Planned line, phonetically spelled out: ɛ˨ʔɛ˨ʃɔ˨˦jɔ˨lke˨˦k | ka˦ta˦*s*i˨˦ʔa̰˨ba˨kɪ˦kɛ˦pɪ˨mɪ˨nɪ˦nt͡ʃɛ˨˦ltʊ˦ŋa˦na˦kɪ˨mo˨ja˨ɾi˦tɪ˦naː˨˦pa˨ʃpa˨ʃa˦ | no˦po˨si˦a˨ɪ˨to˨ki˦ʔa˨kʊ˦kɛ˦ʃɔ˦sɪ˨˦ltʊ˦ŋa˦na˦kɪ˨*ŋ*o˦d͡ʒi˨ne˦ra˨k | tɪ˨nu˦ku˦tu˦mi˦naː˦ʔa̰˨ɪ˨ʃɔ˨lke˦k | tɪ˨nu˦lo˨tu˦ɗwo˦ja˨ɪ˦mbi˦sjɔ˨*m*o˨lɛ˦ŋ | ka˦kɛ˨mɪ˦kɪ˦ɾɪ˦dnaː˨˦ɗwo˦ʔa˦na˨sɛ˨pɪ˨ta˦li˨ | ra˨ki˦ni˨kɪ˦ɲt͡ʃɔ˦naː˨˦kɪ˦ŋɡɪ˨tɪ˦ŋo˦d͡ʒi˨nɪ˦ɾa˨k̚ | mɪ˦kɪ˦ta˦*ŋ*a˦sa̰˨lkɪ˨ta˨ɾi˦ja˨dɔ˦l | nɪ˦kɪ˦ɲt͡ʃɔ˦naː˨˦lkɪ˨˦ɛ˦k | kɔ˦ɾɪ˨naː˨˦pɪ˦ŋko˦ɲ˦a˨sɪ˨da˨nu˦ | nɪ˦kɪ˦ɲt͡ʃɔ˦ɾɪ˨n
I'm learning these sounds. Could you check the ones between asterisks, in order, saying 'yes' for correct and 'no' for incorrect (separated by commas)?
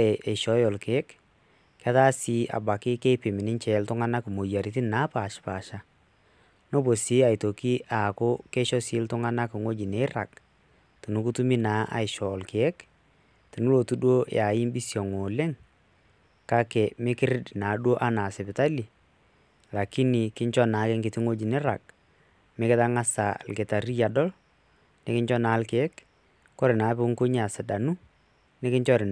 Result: yes, yes, no, yes